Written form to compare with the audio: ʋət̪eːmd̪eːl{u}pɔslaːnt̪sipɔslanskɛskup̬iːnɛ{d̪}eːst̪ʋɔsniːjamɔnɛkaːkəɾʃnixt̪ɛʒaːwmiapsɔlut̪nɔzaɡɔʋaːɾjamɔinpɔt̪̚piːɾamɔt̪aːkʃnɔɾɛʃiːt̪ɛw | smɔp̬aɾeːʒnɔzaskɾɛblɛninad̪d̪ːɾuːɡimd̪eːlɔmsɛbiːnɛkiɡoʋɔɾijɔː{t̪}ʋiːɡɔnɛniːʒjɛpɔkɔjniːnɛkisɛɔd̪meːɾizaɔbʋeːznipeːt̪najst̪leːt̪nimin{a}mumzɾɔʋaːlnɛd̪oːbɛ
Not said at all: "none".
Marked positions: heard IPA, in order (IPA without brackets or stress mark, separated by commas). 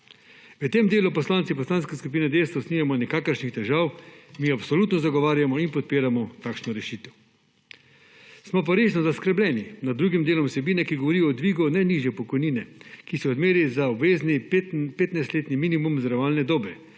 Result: u, d̪, d̪, i